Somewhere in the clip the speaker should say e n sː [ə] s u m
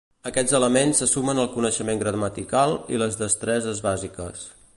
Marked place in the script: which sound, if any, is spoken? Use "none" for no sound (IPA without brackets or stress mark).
ə